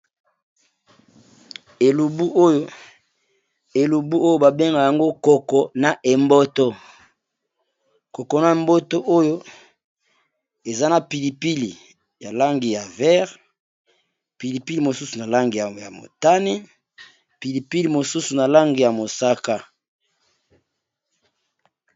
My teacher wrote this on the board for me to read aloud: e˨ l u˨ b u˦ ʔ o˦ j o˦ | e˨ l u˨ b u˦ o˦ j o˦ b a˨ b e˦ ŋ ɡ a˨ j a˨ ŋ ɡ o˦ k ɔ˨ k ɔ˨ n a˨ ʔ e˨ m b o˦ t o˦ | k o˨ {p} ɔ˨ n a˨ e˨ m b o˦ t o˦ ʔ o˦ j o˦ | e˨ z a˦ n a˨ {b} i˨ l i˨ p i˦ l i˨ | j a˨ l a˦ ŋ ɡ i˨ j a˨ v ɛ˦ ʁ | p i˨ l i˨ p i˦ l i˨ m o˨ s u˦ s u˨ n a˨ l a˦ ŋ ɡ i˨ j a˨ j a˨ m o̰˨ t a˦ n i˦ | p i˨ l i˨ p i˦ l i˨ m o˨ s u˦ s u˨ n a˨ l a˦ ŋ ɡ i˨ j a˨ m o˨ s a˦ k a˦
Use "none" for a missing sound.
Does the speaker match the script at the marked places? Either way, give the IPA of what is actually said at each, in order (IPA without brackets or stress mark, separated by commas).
k, p